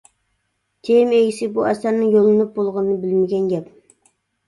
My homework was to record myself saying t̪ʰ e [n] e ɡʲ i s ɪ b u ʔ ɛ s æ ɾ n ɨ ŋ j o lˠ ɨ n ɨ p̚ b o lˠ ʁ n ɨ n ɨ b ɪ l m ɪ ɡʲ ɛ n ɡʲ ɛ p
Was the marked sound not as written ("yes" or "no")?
yes